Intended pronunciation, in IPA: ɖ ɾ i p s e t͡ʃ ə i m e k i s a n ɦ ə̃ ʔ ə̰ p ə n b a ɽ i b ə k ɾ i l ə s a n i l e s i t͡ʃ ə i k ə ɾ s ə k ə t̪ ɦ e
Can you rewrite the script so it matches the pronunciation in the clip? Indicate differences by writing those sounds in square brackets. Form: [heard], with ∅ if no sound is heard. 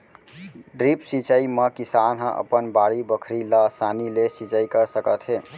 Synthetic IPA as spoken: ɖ ɾ i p s [i] t͡ʃ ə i m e k i s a n ɦ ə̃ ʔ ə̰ p ə n b a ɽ i b ə [kʰ] ɾ i l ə s a n i l e s i t͡ʃ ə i k ə ɾ s ə k ə t̪ ɦ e